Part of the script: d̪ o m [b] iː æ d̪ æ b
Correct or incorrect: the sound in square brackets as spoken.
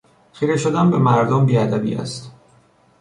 correct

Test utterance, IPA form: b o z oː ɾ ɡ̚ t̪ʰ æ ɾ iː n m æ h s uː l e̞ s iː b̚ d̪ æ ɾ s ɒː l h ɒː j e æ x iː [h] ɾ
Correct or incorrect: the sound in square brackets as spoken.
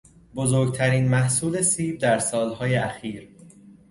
incorrect: none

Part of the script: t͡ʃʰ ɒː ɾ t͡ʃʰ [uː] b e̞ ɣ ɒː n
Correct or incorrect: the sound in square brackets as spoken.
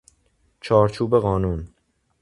correct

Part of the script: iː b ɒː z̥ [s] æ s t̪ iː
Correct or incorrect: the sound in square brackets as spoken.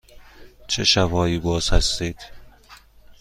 incorrect: h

